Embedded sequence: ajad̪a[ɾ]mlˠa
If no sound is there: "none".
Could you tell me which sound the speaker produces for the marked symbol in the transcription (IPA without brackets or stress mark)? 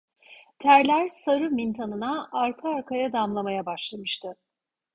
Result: none